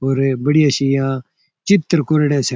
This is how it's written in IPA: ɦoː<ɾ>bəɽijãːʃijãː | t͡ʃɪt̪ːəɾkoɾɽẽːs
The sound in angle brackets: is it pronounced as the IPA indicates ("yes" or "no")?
yes